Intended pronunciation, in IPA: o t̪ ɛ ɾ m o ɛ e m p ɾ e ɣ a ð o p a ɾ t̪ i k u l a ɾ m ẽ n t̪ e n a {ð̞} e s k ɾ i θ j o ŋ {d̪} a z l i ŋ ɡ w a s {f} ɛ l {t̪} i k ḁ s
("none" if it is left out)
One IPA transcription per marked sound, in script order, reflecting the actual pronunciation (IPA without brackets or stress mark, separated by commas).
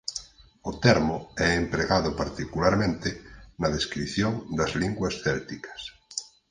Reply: ð̞, d̪, θ, t̪